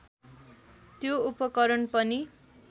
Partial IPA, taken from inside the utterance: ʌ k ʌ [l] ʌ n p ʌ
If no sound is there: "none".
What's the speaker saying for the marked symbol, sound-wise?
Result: ɾ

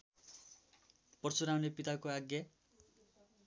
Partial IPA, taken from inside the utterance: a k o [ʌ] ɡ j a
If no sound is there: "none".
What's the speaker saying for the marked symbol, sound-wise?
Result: a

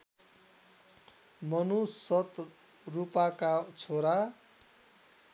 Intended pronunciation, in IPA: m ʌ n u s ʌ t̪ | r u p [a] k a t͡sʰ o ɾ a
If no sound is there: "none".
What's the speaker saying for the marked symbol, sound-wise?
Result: a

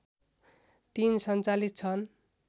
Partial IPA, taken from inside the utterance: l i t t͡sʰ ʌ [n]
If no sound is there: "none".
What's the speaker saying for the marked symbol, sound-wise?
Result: n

